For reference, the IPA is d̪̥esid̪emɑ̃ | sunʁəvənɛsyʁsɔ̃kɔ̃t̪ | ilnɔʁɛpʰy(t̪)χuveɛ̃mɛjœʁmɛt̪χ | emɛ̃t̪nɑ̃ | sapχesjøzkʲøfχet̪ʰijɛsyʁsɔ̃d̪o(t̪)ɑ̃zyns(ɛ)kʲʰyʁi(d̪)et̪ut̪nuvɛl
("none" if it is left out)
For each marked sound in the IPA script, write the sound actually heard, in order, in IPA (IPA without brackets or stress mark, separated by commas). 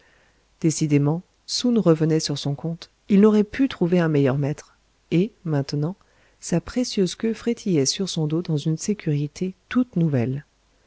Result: t̪, d̪, e, t̪